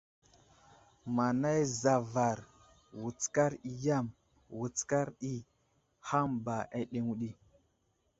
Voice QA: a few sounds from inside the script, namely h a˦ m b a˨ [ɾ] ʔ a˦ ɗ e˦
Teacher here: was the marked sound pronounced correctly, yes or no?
no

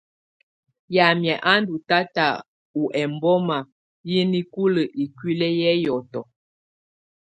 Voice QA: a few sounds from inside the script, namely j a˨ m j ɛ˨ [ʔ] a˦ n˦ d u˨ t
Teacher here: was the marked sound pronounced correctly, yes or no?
yes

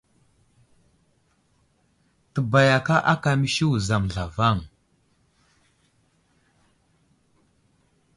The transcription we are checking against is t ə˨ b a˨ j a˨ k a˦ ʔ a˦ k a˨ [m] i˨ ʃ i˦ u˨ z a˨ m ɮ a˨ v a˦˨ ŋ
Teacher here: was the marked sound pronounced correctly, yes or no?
yes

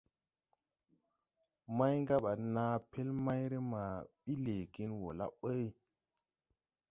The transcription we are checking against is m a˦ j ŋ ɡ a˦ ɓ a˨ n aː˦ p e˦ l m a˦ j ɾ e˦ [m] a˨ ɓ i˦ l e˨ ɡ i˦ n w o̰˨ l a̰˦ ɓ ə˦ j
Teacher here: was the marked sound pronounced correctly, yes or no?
yes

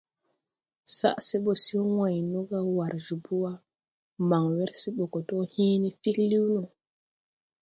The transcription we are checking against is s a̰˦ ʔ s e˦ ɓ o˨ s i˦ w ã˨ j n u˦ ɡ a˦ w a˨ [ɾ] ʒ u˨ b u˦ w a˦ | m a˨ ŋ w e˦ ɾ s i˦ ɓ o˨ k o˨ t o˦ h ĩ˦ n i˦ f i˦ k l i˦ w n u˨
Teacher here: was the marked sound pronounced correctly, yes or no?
yes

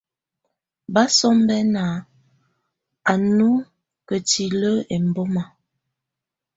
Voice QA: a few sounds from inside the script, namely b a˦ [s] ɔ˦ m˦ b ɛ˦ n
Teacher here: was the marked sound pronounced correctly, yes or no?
yes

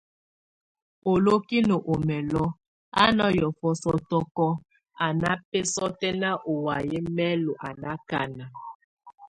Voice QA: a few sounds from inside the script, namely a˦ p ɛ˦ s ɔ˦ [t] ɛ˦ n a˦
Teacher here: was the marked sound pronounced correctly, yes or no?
yes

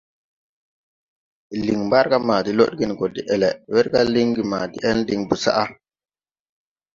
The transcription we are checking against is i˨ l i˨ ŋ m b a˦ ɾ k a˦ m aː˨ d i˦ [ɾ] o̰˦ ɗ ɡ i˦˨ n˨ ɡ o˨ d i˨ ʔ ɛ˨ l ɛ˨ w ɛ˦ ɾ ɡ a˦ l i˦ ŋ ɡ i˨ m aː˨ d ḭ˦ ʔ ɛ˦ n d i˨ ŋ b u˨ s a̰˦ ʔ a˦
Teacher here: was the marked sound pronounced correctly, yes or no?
no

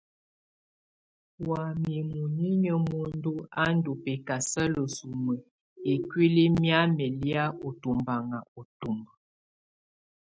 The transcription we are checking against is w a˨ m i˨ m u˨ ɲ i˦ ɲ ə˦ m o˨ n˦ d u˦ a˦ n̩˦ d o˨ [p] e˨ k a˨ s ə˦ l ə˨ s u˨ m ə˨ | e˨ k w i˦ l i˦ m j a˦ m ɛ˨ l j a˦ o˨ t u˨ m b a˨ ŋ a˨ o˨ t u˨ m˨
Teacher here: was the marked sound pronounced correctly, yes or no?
yes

